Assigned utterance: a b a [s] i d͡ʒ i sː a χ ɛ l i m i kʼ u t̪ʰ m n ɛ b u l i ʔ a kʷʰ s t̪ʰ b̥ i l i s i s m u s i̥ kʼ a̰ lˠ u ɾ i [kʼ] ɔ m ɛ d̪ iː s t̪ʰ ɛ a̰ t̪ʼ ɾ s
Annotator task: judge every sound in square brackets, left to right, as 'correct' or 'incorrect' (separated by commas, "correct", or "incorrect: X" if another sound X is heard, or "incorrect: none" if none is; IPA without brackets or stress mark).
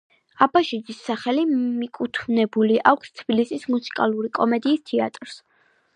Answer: incorrect: ʃ, correct